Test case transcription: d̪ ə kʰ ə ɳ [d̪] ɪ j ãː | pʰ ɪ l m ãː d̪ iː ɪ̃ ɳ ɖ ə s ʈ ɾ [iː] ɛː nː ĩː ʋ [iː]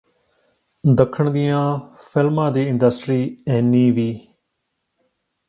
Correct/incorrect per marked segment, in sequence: correct, correct, correct

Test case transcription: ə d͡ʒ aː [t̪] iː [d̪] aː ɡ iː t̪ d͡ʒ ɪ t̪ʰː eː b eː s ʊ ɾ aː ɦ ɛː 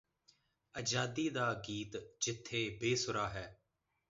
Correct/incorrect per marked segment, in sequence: incorrect: d̪, correct

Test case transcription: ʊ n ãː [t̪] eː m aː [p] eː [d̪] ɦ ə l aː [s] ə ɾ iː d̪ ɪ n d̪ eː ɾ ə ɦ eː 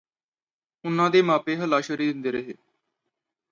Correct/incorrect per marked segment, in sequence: incorrect: d̪, correct, incorrect: none, incorrect: ʃ

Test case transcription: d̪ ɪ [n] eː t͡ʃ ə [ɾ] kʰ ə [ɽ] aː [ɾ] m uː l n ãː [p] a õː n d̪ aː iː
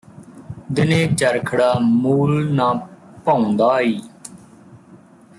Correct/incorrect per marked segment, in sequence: correct, correct, correct, incorrect: none, correct

